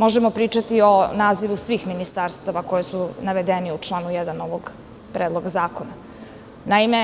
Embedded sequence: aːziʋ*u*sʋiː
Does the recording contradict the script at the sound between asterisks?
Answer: no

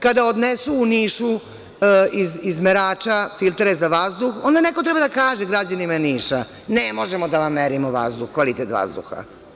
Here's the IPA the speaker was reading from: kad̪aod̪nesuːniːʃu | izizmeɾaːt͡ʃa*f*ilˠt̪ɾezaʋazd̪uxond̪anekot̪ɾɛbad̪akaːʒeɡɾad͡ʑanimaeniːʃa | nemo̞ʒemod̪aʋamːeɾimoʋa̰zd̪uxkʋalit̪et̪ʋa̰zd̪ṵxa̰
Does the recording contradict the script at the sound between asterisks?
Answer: no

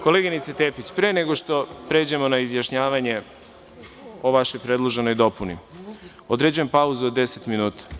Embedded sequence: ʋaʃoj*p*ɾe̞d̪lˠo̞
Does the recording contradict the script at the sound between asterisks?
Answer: no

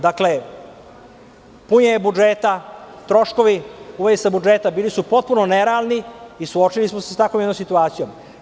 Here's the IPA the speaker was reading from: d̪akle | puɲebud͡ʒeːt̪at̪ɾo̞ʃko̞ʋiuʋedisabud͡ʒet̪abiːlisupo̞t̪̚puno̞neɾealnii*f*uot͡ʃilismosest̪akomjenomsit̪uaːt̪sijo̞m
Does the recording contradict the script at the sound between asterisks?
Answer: yes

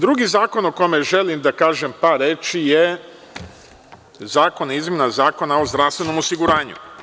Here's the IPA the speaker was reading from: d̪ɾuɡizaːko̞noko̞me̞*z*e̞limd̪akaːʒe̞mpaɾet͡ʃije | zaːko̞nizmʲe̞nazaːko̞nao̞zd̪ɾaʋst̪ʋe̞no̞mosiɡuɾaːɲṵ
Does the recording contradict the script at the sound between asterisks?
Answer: yes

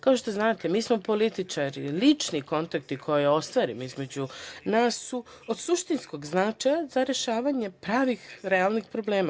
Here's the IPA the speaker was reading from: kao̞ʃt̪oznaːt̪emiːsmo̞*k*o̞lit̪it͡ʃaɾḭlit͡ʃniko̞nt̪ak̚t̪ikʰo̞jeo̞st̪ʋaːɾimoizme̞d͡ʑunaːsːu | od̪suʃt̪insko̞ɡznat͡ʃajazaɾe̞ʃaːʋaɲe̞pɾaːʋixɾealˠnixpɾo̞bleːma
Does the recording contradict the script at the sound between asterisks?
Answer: yes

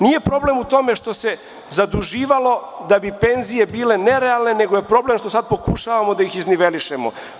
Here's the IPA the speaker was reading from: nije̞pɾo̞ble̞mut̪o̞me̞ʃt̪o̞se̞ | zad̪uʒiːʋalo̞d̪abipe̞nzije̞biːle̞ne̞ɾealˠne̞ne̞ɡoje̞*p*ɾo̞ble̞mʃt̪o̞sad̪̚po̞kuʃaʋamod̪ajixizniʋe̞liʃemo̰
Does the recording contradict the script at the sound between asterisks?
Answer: no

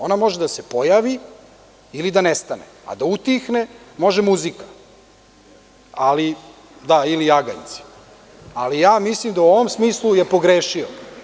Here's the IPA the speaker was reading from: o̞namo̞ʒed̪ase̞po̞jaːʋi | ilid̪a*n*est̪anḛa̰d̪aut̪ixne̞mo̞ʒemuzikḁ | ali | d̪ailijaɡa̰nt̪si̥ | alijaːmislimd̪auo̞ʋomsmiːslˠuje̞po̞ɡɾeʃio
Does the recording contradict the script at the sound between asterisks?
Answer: no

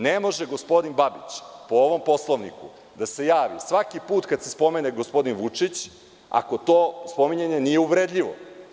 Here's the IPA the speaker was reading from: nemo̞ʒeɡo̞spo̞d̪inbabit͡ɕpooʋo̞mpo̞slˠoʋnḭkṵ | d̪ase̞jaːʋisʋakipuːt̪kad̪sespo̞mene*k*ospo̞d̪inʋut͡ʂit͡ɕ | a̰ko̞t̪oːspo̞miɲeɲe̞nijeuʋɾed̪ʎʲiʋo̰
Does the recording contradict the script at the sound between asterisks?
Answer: yes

